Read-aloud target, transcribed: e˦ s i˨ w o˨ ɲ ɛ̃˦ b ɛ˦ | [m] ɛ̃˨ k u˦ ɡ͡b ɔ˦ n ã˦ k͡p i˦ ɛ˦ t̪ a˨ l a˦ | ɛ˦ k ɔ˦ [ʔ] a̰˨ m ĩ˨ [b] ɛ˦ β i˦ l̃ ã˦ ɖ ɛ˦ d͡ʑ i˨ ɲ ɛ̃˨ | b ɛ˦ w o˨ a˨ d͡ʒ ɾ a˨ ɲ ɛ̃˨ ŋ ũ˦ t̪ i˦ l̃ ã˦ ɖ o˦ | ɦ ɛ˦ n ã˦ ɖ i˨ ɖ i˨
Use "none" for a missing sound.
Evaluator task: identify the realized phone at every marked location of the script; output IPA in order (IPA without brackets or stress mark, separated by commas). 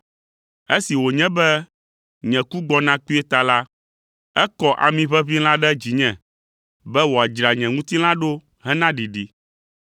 ɲ, ʔ, β